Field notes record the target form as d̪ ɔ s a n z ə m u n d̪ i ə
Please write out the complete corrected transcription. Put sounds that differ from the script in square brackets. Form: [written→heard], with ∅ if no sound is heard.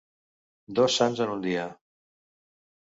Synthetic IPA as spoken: d̪ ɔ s a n z ə [m→n] u n d̪ i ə